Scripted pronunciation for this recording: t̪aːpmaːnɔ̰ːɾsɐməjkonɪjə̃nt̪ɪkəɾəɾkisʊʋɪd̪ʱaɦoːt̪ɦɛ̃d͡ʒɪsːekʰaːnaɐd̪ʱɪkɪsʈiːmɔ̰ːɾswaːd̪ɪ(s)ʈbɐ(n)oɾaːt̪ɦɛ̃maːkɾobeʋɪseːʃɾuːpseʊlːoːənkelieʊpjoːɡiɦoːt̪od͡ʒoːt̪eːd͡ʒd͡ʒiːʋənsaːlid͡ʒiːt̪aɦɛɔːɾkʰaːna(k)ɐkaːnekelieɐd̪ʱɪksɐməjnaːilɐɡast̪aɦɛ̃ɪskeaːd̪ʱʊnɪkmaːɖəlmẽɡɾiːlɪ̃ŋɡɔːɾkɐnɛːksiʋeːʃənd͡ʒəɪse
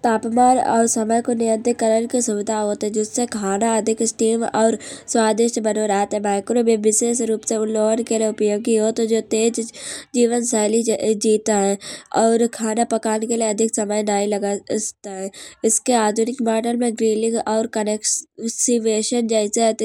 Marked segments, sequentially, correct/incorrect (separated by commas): incorrect, correct, incorrect